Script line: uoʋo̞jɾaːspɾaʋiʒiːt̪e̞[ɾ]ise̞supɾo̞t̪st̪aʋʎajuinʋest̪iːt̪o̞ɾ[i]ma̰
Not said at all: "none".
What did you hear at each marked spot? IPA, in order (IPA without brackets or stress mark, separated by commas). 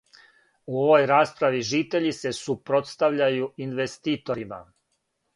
ʎ, i